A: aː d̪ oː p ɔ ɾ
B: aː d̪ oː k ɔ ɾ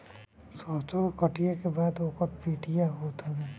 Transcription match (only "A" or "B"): B